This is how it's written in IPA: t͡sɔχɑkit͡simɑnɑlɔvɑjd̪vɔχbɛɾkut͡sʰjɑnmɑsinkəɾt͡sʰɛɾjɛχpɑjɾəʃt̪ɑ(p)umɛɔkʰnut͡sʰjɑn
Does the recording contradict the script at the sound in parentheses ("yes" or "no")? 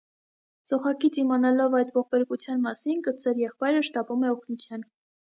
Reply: no